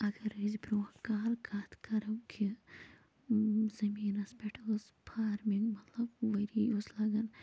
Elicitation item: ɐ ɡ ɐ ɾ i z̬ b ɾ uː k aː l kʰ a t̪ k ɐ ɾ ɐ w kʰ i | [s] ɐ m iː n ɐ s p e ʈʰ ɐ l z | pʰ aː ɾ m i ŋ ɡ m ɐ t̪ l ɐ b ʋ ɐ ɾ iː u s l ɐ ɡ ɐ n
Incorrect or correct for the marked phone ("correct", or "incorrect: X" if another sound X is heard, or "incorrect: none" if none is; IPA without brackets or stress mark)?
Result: incorrect: z